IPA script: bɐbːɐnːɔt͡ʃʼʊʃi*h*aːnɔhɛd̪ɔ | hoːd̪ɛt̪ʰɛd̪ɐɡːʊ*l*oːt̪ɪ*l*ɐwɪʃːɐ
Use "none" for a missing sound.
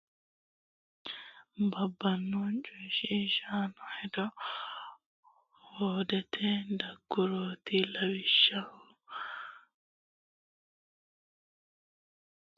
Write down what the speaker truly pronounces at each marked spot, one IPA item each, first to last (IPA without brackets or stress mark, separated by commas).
ʃ, ɾ, l